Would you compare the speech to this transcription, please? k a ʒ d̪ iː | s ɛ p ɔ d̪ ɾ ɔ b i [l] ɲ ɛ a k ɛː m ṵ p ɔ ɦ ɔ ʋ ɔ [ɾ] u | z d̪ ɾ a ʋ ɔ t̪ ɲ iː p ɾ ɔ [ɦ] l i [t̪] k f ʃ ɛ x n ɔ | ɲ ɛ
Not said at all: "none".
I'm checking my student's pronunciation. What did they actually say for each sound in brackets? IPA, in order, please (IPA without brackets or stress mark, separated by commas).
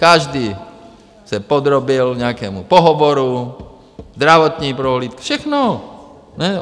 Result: l, ɾ, ɦ, t̪